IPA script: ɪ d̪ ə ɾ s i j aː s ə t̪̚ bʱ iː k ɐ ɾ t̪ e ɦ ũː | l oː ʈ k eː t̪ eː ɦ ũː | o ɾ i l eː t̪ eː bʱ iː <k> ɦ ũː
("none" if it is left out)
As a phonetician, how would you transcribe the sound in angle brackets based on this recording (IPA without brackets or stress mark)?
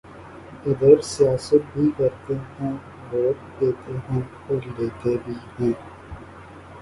none